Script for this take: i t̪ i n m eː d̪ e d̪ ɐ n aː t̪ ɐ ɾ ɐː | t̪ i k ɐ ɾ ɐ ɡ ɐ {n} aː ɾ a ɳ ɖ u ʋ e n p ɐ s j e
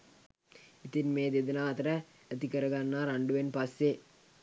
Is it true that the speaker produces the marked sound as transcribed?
no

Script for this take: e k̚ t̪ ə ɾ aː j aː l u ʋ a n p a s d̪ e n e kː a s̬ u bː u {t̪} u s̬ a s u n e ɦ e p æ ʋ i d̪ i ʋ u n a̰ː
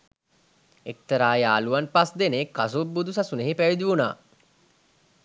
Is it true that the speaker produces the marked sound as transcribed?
no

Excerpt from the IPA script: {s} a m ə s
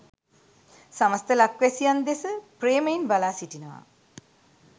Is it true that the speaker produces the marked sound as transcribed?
yes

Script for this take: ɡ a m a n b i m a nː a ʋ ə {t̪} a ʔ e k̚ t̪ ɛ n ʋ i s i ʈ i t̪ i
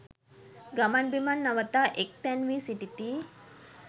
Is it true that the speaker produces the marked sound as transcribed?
yes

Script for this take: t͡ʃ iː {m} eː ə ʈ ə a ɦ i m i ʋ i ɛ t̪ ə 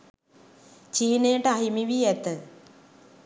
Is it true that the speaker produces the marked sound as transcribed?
no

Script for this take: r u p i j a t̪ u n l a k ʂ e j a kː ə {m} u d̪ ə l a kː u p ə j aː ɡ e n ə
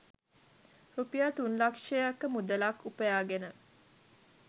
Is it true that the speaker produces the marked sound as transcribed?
yes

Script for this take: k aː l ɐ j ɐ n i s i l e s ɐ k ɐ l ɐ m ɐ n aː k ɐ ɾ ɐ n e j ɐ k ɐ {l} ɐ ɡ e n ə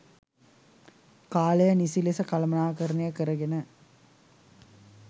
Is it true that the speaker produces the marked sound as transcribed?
no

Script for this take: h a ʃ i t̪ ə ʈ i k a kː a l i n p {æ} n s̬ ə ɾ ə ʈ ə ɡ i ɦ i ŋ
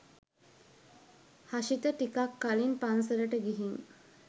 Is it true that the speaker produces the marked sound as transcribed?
no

